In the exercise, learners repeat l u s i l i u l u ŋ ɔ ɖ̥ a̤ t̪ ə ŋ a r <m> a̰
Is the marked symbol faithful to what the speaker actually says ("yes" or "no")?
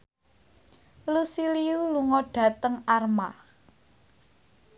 yes